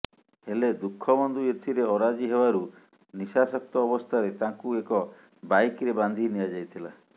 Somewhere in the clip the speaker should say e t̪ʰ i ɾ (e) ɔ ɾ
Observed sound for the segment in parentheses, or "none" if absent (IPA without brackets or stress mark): e